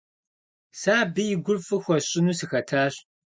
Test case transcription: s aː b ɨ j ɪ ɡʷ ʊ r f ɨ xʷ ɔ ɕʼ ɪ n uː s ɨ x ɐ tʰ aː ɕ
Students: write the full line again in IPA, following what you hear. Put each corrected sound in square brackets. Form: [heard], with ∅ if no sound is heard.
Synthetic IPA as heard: s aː b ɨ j ɪ ɡʷ ʊ r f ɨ xʷ ɔ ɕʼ ɪ n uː s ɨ x ɐ tʰ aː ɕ